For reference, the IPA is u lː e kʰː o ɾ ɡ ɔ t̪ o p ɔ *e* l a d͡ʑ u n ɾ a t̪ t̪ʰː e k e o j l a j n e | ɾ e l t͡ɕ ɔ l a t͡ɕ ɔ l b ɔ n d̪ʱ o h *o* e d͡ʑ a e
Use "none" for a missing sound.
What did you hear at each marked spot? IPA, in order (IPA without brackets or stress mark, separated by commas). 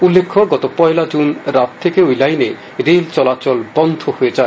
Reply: e, o